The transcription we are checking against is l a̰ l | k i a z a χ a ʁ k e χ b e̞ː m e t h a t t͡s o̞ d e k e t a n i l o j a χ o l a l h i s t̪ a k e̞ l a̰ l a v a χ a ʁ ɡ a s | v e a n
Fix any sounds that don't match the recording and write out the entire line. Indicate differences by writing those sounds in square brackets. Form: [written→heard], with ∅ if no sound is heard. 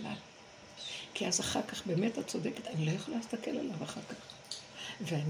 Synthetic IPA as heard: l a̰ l | k i a z a χ a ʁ k [e→a] χ b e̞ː m e t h a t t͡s o̞ d e k e t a n i l o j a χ o l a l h i s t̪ a k e̞ l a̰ l a v a χ a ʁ [ɡ→k] a [s→χ] | v e a n